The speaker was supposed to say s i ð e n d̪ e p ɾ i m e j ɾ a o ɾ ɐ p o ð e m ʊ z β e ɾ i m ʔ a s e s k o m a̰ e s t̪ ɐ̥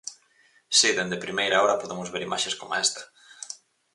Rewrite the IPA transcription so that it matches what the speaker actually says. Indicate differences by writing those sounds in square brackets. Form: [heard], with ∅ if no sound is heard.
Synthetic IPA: s i ð e n d̪ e p ɾ i m e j ɾ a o ɾ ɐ p o ð e m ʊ z β e ɾ i m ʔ a [ʃ] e s k o m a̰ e s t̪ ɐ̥